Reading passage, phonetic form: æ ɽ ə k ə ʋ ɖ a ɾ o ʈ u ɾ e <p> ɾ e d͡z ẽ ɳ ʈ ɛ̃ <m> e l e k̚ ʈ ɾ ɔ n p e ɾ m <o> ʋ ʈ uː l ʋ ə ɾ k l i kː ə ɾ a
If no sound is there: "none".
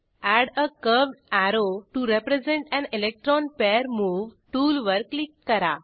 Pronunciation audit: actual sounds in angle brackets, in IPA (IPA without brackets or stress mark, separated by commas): p, n, u